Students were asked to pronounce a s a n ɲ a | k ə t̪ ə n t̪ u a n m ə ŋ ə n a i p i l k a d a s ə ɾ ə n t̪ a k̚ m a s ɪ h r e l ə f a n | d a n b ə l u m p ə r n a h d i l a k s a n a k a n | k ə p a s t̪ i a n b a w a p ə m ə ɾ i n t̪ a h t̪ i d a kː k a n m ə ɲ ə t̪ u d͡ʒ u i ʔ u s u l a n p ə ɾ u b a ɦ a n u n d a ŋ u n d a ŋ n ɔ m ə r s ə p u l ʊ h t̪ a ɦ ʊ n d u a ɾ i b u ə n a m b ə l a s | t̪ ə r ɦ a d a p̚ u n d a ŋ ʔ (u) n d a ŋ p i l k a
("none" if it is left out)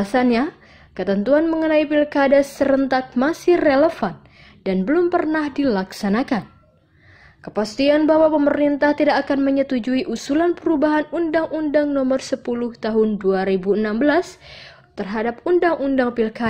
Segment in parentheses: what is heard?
u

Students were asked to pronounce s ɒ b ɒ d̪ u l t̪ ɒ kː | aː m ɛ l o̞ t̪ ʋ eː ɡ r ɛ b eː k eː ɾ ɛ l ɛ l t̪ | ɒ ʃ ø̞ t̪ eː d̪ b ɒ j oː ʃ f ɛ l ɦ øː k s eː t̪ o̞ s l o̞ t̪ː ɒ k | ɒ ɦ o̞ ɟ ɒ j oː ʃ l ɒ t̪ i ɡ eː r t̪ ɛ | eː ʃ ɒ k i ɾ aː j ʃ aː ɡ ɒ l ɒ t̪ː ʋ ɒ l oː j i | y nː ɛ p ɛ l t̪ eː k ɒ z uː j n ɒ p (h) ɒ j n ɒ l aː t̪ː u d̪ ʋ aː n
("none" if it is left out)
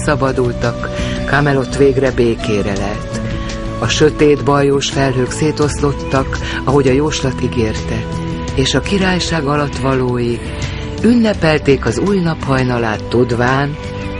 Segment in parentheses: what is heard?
h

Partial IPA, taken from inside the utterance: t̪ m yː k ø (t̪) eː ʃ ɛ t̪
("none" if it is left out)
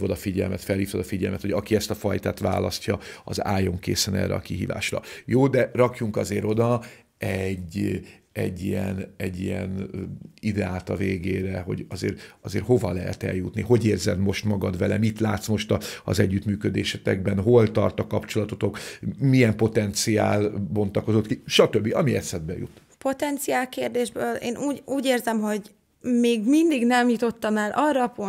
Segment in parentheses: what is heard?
d̪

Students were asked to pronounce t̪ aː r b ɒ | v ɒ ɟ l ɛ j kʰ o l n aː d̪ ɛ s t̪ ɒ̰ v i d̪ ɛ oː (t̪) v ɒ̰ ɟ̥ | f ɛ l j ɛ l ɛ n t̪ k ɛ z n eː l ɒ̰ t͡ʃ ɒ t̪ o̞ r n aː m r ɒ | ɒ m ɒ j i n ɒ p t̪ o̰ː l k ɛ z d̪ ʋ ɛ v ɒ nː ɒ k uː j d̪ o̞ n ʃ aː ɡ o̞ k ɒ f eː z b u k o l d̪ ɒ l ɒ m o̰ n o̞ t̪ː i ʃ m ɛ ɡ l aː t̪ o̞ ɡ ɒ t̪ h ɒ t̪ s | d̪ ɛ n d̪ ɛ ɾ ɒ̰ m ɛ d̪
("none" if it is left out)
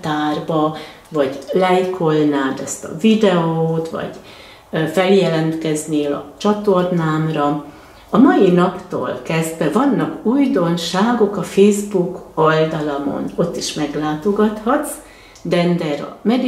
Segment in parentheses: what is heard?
t̪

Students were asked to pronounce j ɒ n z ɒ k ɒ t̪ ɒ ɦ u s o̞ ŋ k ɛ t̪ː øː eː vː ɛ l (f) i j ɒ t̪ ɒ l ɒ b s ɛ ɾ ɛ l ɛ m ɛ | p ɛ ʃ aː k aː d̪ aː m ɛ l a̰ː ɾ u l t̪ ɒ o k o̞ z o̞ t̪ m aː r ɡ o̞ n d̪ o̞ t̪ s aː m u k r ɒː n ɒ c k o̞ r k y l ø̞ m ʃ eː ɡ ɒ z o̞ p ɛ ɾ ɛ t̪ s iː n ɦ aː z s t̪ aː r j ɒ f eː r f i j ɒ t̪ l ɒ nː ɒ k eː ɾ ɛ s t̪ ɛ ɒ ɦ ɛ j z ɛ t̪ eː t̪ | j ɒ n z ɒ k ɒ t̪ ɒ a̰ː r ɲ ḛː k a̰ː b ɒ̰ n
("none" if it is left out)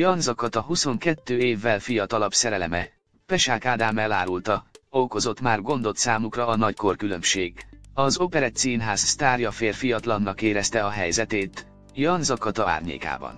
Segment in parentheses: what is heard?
f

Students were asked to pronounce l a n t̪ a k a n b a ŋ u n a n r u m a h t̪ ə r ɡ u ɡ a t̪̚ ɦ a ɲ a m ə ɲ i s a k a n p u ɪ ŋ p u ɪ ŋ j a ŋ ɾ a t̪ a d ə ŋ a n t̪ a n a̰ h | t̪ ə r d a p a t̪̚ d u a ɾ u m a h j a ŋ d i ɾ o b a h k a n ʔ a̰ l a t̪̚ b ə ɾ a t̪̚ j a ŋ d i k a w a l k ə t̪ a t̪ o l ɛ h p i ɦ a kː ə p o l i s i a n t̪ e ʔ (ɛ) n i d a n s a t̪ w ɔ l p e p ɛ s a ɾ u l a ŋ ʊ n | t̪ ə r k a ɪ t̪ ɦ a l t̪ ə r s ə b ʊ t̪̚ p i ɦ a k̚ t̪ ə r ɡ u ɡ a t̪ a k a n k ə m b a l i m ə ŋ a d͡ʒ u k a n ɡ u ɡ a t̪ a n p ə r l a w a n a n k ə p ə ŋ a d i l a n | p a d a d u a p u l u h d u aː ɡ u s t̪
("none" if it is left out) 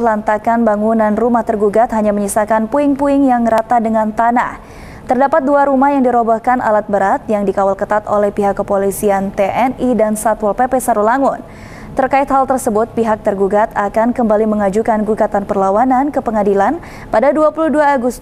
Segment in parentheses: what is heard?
ɛ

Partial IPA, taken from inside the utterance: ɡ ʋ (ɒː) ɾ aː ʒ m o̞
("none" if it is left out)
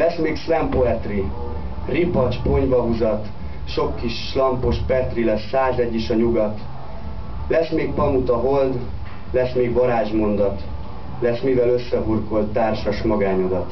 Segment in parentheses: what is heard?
ɒ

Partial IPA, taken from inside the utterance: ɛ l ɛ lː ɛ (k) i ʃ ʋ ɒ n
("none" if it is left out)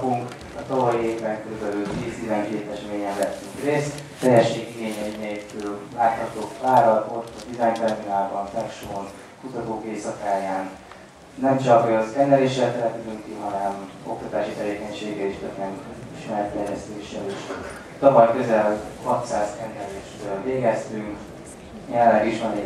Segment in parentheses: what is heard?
ɡ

